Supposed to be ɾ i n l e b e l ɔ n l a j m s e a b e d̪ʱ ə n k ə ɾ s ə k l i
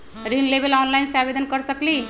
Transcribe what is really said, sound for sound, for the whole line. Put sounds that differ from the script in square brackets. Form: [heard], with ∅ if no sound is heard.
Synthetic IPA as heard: ɾ i n l e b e l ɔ n l a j [n] s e a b e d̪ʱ ə n k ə ɾ s ə k l i